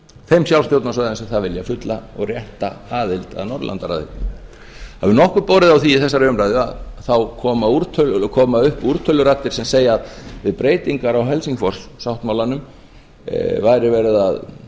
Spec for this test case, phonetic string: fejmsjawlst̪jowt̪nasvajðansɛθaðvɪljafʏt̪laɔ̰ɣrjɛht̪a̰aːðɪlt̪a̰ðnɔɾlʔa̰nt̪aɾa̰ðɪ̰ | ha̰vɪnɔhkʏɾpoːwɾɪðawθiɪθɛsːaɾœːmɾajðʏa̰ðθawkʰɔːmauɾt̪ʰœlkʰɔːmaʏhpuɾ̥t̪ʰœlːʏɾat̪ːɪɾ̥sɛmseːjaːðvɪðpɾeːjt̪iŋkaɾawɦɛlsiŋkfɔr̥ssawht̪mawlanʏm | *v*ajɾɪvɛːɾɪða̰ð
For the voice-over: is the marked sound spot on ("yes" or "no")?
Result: yes